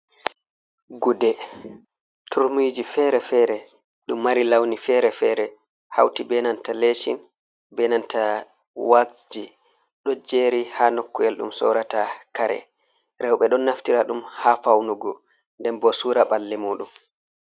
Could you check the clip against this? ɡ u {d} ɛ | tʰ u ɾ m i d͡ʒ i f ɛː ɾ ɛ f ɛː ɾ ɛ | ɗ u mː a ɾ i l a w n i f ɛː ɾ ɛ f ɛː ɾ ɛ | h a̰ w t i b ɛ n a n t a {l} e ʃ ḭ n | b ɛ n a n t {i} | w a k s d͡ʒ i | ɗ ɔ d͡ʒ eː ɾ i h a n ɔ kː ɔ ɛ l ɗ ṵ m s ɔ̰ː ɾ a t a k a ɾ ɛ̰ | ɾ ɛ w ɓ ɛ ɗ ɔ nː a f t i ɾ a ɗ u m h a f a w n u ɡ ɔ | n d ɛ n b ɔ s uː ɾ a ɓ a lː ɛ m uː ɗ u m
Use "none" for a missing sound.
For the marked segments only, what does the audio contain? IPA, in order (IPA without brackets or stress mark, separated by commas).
d, l, a